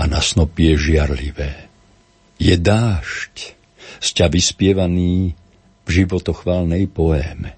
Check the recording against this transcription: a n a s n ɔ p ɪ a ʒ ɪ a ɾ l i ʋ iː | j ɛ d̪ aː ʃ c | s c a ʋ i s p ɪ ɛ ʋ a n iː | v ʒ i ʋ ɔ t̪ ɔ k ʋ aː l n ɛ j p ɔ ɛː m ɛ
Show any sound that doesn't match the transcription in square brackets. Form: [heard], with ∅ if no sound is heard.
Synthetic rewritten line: a n a s n ɔ p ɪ [ɛ] ʒ ɪ a ɾ l i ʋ [ɛː] | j ɛ d̪ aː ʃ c | s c a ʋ i s p ɪ ɛ ʋ a n iː | v ʒ i ʋ ɔ t̪ ɔ [x] ʋ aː l n ɛ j p ɔ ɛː m ɛ